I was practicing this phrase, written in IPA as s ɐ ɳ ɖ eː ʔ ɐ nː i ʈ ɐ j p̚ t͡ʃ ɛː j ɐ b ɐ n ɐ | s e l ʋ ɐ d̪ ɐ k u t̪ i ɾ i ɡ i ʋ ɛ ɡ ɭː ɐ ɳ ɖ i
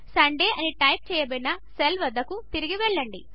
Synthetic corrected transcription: s ɐ ɳ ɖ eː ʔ ɐ n i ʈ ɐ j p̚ t͡ʃ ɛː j ɐ b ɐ n ɐ | s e l ʋ ɐ d̪ ɐ k u t̪ i ɾ i ɡ i ʋ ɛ ɭː ɐ ɳ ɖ i